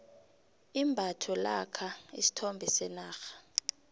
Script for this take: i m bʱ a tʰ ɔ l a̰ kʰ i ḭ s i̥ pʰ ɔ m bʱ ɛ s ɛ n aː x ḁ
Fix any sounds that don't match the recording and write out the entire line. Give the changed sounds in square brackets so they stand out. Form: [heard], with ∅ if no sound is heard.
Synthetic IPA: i m bʱ a tʰ ɔ l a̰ kʰ [a] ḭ s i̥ [tʰ] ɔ m bʱ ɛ s ɛ n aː x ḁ